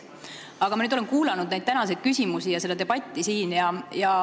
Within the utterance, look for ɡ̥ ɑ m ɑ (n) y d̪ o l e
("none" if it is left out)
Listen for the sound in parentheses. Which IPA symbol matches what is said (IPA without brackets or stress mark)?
n